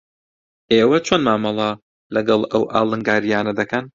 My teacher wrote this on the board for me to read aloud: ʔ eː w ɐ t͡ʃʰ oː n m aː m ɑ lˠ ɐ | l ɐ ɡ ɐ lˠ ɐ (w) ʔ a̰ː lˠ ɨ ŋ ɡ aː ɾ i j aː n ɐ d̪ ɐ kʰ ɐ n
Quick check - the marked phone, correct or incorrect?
correct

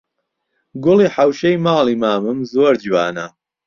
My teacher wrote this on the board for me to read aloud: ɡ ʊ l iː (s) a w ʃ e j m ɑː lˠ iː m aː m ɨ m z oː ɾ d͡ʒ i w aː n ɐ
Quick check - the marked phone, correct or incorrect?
incorrect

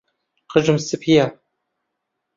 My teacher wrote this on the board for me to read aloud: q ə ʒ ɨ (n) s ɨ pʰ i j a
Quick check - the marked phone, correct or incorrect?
incorrect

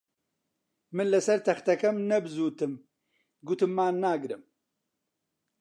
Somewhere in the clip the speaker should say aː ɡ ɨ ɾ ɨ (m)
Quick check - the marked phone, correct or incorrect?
correct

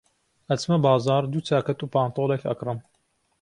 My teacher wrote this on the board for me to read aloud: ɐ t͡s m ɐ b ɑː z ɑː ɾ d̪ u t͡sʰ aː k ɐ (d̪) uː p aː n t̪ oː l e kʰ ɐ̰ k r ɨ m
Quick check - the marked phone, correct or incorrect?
incorrect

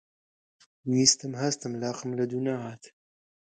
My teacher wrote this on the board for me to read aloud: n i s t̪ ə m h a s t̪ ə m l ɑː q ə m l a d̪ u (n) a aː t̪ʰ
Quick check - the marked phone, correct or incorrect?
correct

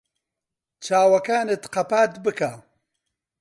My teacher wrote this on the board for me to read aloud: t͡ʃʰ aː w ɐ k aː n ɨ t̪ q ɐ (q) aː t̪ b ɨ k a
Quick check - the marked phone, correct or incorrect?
incorrect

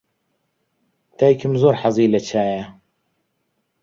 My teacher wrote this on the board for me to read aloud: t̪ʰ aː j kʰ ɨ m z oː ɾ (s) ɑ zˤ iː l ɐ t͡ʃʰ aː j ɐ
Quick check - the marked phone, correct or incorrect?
incorrect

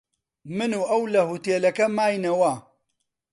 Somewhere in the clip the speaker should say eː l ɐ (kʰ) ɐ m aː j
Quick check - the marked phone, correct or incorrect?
incorrect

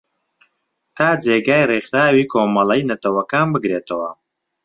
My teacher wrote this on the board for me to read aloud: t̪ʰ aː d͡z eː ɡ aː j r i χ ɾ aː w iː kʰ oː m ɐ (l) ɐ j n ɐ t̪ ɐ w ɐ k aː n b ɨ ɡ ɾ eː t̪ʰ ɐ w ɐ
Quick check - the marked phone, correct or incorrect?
correct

